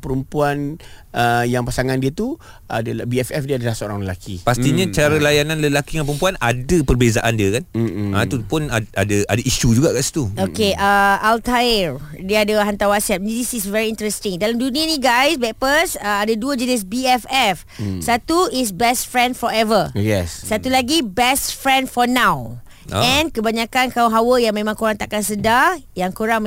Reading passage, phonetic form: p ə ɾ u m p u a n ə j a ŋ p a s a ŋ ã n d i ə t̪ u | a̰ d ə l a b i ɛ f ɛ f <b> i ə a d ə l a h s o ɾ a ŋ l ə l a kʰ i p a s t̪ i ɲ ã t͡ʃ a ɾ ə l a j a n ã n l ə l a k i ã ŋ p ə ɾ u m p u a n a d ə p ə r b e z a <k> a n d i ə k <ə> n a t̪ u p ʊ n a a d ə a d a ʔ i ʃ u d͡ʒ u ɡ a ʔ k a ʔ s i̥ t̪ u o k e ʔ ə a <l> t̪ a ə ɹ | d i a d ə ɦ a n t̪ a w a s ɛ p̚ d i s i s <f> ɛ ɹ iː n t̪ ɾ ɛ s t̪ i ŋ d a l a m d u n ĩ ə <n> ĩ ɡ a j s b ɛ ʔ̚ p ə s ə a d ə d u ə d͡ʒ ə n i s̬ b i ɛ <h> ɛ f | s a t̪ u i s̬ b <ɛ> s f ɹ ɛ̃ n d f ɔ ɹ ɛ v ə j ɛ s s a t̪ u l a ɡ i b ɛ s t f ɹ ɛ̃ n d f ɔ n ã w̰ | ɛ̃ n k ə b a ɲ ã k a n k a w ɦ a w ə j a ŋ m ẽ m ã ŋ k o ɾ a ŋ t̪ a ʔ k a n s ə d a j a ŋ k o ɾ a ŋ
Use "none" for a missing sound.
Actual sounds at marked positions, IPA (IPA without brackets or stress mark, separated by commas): d, ʔ, a, l, v, n, f, ɛ